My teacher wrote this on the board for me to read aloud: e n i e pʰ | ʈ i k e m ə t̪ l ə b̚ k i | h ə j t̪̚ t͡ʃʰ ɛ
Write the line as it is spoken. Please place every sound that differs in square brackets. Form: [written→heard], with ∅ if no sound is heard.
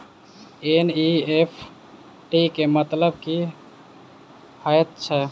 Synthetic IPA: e n i e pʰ | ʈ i k e m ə t̪ l ə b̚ k i | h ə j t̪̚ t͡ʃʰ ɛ